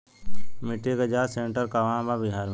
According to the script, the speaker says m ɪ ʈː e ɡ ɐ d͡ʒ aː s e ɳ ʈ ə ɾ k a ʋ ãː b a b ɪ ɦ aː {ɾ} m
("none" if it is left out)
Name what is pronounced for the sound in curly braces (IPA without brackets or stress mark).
ɾ